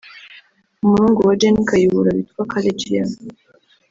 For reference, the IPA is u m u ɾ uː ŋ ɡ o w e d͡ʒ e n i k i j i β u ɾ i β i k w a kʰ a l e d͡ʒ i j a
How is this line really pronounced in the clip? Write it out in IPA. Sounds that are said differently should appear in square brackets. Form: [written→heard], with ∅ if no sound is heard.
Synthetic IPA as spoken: u m u ɾ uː ŋ ɡ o w [e→a] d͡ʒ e n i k [i→a] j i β u ɾ [i→a] β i [k→t] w a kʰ a l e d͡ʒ i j a